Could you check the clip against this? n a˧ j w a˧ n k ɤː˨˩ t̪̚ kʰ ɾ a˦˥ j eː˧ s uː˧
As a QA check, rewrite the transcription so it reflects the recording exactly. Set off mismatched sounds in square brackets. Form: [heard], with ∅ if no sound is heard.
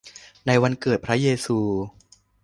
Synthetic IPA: n a˧ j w a˧ n k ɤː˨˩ t̪̚ [pʰ] ɾ a˦˥ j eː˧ s uː˧